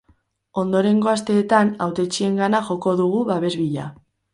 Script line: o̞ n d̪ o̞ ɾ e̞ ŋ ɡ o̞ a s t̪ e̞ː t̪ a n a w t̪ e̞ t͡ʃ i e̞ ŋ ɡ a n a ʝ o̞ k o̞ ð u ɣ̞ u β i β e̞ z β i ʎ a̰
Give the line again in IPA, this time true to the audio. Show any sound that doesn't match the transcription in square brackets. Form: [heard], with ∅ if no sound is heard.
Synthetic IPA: o̞ n d̪ o̞ ɾ e̞ ŋ ɡ o̞ a s t̪ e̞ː t̪ a n a w t̪ e̞ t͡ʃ i e̞ ŋ ɡ a n a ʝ o̞ k o̞ ð u ɣ̞ u β [a] β e̞ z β i ʎ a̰